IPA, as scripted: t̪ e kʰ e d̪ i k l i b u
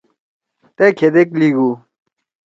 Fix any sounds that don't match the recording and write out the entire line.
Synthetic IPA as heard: t̪ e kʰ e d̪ e k l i ɡ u

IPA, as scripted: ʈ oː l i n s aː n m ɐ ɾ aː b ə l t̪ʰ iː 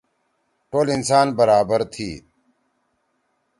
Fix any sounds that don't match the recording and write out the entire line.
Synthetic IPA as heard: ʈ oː l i n s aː n b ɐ ɾ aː b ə ɾ t̪ʰ iː

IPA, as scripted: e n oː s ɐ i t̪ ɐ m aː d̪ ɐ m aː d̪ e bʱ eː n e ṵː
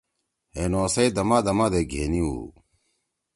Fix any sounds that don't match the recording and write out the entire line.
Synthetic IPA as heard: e n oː s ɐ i d̪ ɐ m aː d̪ ɐ m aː d̪ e ɡʱ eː n i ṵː

